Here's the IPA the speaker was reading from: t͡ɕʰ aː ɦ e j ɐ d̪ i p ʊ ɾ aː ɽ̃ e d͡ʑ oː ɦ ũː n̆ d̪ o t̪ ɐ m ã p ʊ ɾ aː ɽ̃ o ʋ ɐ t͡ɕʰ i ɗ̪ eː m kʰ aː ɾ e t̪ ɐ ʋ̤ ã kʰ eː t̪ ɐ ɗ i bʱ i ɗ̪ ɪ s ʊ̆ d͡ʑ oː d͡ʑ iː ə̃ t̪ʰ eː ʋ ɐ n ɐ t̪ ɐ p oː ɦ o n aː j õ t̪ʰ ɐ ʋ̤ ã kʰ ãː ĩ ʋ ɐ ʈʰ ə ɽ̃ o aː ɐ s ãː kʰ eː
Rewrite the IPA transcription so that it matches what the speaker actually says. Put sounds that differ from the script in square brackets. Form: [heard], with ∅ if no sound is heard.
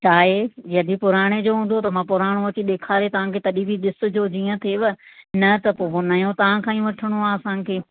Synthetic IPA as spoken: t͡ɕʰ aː ɦ e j ɐ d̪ i p ʊ ɾ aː ɽ̃ e d͡ʑ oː ɦ ũː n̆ d̪ o t̪ ɐ m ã p ʊ ɾ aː ɽ̃ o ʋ ɐ [t͡ɕ] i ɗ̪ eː [∅] kʰ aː ɾ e t̪ ɐ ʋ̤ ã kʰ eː t̪ ɐ ɗ i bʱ i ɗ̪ ɪ s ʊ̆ d͡ʑ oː d͡ʑ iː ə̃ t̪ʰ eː ʋ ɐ n ɐ t̪ ɐ p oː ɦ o n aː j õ [t̪] ɐ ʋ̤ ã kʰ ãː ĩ ʋ ɐ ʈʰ ə ɽ̃ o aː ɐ s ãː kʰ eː

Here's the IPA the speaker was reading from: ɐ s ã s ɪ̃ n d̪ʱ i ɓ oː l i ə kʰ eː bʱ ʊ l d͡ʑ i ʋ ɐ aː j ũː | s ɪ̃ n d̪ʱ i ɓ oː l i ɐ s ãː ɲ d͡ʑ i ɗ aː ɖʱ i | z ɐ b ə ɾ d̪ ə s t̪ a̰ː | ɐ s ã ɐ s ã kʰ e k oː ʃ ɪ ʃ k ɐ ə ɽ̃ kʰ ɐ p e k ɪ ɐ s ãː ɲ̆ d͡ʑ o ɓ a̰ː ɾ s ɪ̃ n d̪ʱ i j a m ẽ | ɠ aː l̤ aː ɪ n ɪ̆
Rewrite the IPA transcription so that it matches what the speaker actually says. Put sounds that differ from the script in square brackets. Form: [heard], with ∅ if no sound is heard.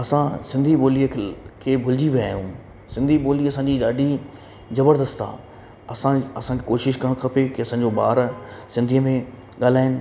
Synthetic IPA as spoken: ɐ s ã s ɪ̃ n d̪ʱ i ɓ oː l i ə kʰ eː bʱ ʊ l d͡ʑ i ʋ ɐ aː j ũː | s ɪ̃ n d̪ʱ i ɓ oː l i ɐ s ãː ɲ d͡ʑ i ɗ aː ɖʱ i | z ɐ b ə ɾ d̪ ə s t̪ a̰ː | ɐ s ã ɐ s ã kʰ e k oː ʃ ɪ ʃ k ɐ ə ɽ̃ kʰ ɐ p e k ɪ ɐ s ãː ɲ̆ d͡ʑ o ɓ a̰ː ɾ s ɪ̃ n d̪ʱ i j [ə] m ẽ | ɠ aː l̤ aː ɪ n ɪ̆

